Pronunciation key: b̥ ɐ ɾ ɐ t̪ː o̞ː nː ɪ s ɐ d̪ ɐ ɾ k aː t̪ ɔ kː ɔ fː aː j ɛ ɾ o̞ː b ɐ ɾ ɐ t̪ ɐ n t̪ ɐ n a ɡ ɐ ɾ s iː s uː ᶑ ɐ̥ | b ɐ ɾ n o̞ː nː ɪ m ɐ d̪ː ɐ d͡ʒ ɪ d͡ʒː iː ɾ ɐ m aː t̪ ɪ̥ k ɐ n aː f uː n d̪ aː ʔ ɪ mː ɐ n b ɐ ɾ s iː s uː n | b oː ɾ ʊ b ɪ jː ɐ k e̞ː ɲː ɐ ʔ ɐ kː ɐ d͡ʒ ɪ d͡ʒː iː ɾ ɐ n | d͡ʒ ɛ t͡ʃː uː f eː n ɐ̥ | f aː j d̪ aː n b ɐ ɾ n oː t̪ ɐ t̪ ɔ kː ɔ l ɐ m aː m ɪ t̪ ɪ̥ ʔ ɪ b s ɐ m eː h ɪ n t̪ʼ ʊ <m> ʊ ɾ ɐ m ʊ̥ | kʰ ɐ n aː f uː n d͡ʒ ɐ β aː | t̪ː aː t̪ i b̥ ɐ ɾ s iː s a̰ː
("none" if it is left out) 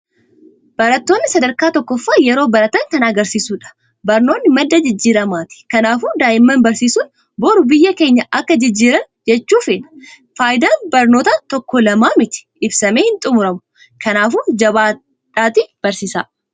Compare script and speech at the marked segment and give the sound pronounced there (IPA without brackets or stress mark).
m